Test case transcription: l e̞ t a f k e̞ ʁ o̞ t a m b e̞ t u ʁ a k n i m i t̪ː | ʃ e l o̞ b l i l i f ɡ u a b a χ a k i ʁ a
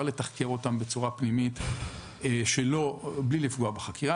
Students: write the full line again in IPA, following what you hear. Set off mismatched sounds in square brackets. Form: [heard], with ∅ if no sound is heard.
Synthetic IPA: l e̞ t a [χ] k e̞ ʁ o̞ t a m b e̞ [t͡s] u ʁ a [p] n i m i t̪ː | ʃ e l o̞ b l i l i f ɡ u a b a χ a k i ʁ a